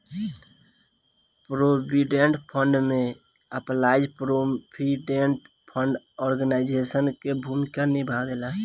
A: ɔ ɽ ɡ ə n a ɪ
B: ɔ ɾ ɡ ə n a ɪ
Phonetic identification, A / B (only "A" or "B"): B